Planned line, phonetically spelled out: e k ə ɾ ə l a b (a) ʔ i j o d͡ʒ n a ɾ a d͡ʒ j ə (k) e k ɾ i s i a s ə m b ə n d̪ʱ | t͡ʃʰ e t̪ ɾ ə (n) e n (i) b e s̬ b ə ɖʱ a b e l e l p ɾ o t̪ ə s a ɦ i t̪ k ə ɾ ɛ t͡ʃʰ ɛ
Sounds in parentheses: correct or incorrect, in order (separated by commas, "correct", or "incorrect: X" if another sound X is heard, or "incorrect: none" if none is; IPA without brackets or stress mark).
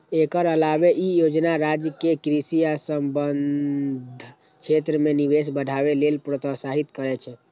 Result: incorrect: e, correct, incorrect: m, correct